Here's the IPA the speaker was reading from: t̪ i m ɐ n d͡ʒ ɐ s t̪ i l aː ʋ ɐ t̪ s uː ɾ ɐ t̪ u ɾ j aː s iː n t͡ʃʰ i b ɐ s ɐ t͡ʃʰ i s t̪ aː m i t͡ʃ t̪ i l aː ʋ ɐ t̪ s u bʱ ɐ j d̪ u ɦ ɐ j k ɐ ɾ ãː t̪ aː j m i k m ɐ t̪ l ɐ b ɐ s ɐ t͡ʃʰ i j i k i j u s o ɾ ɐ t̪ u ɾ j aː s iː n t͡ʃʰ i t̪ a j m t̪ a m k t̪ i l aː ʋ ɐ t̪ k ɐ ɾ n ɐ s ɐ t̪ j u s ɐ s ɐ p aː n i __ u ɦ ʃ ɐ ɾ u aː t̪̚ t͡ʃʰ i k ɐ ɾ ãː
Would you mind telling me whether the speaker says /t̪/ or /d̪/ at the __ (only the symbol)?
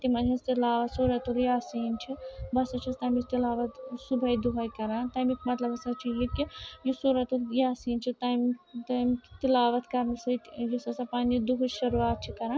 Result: d̪